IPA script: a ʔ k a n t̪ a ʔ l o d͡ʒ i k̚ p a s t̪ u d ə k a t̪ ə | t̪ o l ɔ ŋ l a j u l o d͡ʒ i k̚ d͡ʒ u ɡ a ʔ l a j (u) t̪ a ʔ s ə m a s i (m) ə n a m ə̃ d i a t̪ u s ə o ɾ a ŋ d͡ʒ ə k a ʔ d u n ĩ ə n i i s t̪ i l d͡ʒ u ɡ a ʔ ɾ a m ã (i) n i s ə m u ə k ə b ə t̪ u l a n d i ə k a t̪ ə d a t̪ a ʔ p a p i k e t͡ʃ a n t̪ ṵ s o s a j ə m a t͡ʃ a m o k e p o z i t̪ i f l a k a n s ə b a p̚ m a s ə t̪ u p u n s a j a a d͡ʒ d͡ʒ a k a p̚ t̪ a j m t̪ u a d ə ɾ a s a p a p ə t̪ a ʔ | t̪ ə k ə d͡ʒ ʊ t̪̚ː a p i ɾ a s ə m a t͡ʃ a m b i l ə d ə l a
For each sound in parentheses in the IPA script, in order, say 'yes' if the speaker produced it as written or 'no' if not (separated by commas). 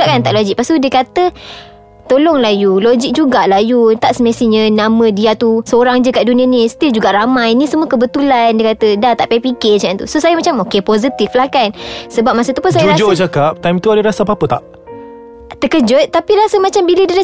yes, no, no